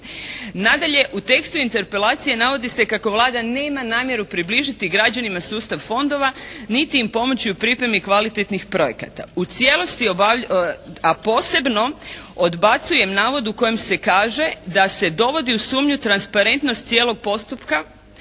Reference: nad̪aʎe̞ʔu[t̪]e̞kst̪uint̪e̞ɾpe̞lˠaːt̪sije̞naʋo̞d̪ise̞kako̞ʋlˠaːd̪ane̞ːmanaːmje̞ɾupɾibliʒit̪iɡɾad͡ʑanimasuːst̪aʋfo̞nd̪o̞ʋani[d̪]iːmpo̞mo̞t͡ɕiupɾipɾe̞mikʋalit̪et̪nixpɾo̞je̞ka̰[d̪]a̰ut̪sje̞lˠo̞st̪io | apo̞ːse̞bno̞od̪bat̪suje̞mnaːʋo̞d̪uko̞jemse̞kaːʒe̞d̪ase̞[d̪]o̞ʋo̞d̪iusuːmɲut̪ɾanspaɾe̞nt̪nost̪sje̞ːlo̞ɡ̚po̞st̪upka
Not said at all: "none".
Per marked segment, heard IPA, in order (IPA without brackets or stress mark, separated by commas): t̪, t̪, t̪, d̪